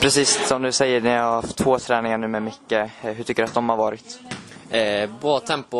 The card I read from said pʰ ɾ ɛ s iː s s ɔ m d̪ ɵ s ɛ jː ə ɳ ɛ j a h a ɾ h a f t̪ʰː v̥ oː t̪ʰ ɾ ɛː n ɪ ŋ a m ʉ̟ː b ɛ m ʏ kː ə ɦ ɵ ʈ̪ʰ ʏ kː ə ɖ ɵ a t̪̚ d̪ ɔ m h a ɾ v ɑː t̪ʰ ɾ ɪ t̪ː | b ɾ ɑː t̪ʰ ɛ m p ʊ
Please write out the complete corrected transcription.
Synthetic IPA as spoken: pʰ ɾ ɛ s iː s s ɔ m d̪ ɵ s ɛ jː ə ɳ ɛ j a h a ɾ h a f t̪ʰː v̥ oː t̪ʰ ɾ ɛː n ɪ ŋ a ɳ ʉ̟ː m ɛ m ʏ kː ə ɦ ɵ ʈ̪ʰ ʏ kː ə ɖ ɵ a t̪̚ d̪ ɔ m h a ɾ v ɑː ɾ ɪ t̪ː | b ɾ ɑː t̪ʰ ɛ m p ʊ